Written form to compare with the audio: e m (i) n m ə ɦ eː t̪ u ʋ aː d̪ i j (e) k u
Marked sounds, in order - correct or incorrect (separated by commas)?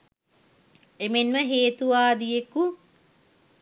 incorrect, correct